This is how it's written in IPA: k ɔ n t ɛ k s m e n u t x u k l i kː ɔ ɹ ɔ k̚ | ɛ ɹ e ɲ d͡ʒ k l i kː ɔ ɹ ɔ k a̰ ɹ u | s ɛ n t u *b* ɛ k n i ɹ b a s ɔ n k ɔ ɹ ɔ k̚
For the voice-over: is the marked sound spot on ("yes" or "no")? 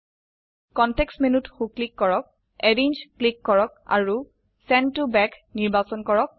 yes